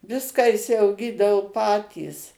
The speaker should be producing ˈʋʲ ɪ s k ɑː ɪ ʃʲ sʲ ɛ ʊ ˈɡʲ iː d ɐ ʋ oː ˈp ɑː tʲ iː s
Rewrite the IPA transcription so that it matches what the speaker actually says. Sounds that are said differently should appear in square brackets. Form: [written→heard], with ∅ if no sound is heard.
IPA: ˈʋʲ ɪ s k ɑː ɪ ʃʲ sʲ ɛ ʊ ˈɡʲ iː d ɐ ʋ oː ˈp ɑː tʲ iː s